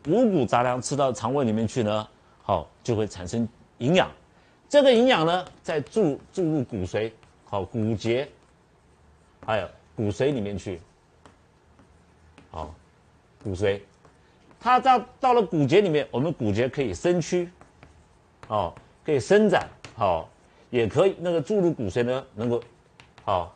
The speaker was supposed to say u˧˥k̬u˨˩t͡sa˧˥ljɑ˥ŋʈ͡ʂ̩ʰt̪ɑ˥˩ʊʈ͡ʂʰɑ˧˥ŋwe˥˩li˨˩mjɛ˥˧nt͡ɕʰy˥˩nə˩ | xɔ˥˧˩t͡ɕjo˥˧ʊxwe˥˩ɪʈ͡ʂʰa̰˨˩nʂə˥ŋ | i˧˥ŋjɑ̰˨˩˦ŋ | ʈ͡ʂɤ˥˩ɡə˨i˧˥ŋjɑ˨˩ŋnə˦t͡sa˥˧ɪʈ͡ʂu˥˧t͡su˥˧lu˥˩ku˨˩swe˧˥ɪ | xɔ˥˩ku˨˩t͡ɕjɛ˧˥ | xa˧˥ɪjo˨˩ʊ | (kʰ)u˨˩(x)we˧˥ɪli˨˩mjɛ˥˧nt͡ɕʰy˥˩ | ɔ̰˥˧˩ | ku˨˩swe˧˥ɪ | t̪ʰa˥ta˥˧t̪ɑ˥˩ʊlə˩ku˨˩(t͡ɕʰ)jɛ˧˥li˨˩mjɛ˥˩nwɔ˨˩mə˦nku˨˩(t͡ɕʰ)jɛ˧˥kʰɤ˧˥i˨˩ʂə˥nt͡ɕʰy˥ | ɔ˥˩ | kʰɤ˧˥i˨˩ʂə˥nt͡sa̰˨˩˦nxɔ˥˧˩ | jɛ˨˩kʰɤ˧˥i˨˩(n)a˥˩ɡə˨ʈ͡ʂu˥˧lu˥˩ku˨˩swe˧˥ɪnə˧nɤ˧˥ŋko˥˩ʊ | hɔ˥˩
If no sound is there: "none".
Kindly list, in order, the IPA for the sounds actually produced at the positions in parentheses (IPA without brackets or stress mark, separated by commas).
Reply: k, s, t͡ɕ, t͡ɕ, n